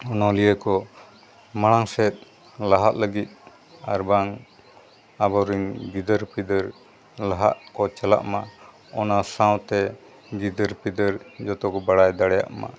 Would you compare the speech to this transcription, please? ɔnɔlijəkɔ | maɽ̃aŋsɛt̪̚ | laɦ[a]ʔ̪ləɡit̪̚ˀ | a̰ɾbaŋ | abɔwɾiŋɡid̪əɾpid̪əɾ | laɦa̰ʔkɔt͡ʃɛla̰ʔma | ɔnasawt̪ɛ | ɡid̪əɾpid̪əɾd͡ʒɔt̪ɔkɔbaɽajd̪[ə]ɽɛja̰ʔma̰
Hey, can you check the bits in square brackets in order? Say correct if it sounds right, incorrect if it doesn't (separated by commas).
correct, incorrect